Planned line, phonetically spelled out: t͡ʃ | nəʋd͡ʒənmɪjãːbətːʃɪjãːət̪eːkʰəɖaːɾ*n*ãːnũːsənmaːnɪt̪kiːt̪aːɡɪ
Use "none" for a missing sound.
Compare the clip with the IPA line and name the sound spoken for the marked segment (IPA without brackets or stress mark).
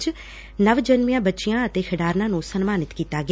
n